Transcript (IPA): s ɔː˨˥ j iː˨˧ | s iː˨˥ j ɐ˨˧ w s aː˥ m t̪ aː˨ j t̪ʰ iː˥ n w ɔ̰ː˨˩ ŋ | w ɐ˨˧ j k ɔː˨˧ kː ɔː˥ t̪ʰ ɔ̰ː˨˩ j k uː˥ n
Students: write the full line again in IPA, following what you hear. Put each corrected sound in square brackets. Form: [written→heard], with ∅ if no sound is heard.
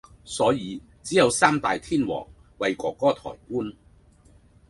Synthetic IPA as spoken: s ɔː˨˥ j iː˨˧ | [s→t͡s] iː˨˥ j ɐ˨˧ w s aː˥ m t̪ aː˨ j t̪ʰ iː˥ n w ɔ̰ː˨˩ ŋ | w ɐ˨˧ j k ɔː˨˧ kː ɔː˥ t̪ʰ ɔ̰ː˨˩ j k uː˥ n